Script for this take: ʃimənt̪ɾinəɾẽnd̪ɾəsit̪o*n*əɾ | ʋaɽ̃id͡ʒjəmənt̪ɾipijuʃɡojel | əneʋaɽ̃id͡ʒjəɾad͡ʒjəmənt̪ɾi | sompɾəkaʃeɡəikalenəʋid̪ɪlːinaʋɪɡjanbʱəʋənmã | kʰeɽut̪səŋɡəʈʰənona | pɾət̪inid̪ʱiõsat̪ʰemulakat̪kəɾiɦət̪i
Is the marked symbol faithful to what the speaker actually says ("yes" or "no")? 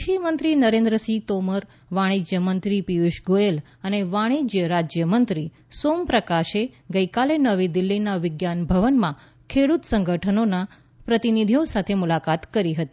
no